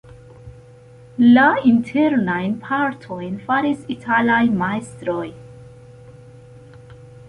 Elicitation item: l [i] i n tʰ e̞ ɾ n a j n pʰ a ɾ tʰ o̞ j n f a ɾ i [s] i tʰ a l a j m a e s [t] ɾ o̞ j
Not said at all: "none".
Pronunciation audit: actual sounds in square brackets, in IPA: a, s, t

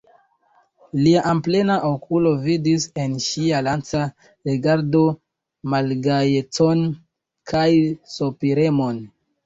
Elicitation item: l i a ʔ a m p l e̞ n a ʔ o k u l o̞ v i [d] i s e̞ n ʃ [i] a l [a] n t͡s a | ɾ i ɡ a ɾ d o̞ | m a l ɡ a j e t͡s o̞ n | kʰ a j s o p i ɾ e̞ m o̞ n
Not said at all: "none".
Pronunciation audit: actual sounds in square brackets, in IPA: d, i, a

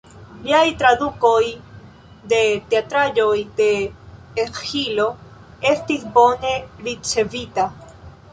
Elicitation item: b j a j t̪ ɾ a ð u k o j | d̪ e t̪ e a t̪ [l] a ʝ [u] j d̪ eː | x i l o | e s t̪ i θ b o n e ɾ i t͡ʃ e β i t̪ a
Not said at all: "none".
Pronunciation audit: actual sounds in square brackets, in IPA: ɾ, o

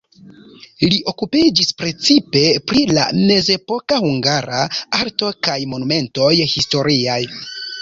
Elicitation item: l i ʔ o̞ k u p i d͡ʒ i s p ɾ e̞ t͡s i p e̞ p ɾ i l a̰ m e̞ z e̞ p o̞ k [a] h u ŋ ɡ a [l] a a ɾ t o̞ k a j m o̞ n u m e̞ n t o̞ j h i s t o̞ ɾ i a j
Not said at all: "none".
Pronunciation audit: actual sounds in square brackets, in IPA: a, ɾ

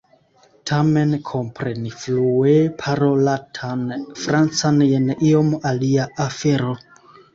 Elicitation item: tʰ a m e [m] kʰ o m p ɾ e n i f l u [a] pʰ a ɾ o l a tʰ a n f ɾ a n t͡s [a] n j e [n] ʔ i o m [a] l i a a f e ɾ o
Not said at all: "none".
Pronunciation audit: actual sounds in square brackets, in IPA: n, e, a, n, a

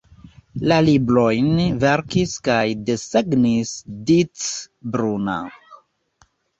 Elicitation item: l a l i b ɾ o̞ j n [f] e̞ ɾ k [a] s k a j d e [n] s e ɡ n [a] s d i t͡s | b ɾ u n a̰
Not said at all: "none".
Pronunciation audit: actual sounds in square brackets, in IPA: v, i, none, i

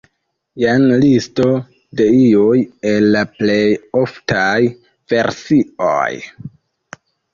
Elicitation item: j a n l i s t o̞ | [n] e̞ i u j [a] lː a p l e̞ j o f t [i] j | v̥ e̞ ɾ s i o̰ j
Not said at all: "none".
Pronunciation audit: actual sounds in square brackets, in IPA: d, e, a

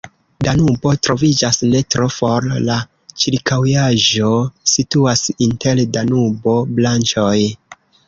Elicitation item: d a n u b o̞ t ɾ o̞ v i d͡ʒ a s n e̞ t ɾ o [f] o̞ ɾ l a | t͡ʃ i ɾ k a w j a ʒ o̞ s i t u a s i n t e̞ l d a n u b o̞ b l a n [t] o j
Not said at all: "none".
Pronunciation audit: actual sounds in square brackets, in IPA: f, t͡ʃ

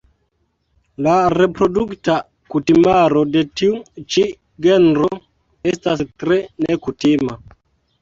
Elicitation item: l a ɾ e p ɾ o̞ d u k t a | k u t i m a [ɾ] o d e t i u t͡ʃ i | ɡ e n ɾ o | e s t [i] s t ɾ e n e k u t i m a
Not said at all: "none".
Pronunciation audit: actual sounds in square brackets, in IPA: ɾ, a

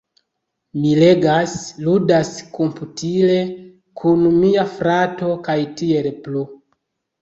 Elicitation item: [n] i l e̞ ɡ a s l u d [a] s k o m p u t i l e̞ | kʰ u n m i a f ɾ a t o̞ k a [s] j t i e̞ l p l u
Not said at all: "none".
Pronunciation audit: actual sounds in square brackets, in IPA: m, a, none

